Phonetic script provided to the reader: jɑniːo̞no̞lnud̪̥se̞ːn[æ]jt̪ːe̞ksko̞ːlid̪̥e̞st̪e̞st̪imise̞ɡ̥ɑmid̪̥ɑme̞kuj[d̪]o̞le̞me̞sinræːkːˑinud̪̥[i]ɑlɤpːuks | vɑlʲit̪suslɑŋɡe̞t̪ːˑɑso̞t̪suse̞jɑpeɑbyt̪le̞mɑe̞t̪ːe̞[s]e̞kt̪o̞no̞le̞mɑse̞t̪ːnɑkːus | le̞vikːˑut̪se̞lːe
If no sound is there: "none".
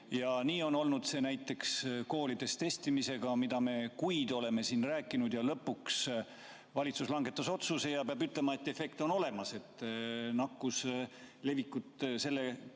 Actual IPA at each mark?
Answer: æ, d̪, j, f

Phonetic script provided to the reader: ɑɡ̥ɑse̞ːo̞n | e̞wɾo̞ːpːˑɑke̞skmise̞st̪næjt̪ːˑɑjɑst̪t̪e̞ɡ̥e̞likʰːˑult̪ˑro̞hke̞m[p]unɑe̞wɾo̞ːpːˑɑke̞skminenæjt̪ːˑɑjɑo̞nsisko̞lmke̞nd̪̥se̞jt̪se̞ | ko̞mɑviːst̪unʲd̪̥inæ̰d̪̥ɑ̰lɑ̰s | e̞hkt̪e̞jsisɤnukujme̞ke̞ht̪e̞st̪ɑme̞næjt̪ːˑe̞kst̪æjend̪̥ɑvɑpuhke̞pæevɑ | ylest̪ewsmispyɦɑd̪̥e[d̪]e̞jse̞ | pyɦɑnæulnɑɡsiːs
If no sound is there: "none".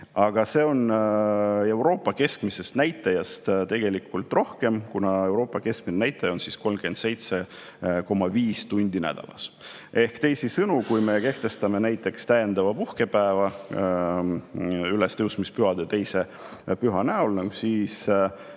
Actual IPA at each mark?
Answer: k, t̪

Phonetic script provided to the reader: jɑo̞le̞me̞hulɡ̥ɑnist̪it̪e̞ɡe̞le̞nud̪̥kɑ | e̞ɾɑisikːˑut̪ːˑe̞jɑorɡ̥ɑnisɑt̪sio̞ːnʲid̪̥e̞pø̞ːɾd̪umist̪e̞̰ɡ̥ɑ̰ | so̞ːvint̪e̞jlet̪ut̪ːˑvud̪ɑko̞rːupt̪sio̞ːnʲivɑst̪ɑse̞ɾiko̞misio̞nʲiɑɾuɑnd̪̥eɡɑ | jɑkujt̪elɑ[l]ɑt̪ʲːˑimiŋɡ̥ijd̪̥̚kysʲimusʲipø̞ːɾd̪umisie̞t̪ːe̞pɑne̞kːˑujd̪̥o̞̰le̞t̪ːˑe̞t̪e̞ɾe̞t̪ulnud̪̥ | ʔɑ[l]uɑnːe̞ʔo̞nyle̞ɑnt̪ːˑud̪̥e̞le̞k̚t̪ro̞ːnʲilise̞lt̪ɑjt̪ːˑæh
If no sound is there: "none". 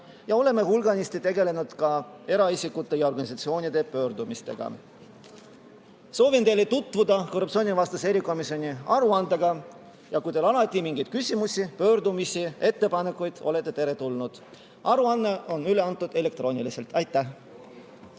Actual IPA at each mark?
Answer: l, ɾ

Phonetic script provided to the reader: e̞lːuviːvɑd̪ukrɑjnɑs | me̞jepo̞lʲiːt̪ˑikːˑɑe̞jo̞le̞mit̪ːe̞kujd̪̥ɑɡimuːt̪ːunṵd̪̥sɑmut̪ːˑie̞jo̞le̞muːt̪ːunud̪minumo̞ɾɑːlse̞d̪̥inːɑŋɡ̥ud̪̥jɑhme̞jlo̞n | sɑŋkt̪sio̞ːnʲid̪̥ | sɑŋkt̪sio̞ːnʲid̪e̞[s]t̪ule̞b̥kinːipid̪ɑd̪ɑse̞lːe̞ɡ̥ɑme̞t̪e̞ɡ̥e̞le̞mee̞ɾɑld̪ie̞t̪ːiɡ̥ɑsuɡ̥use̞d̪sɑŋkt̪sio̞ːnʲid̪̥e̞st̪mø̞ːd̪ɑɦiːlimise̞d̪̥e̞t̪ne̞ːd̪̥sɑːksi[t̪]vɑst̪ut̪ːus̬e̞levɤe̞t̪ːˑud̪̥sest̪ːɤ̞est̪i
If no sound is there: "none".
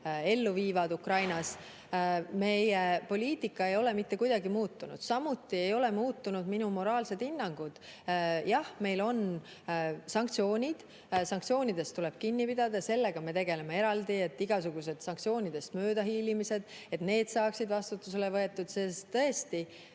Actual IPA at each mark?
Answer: s, d̪

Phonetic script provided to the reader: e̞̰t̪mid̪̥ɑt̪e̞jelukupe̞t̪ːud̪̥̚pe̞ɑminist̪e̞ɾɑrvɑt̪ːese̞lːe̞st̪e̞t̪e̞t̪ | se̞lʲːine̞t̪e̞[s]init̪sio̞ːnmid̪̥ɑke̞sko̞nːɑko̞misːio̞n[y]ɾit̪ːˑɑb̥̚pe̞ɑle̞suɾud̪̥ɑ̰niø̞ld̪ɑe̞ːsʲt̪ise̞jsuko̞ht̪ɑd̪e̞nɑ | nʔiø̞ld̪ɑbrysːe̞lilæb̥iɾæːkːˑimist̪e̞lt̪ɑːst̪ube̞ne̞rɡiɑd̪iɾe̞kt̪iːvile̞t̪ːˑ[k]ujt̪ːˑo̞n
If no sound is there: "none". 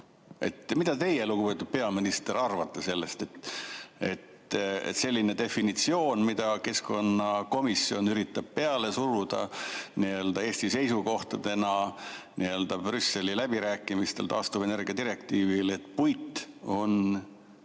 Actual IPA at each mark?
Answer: f, y, p

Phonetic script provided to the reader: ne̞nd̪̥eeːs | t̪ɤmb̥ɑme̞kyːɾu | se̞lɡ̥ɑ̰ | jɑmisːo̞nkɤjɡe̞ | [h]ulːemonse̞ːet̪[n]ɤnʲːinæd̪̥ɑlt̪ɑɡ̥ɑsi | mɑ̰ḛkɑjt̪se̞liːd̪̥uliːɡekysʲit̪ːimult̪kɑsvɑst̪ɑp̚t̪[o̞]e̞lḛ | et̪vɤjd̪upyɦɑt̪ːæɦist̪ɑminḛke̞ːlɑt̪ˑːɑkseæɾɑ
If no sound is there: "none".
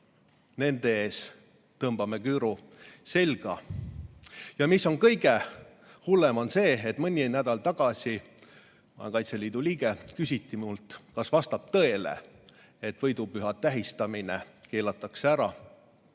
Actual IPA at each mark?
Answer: h, m, ɤ̞

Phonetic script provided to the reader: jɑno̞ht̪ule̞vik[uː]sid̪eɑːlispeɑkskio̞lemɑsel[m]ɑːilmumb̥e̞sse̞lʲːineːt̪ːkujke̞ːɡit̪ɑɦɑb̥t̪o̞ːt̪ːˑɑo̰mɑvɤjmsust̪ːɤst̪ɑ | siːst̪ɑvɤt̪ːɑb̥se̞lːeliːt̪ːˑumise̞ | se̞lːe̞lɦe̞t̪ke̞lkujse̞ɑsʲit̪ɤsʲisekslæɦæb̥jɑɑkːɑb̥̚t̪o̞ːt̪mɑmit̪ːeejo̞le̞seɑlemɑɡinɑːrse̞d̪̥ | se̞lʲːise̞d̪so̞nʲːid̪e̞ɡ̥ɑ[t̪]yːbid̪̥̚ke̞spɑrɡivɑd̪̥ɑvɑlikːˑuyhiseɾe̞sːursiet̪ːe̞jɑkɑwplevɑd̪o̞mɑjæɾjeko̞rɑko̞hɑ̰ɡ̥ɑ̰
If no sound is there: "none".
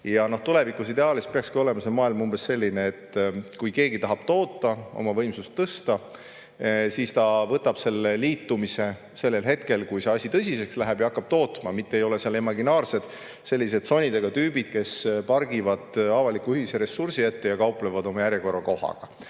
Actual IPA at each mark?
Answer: u, m, t̪

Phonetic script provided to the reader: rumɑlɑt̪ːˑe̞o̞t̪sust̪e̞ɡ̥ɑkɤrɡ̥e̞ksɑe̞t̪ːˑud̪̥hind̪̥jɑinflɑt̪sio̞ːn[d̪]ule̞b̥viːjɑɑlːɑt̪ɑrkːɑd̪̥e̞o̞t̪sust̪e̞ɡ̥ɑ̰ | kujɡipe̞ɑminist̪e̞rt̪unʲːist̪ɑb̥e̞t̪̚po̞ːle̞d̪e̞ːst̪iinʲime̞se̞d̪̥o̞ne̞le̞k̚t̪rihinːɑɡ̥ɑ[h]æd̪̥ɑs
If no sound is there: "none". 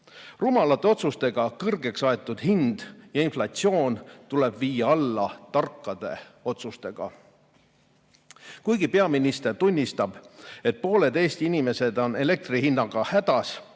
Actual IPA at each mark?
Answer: t̪, h

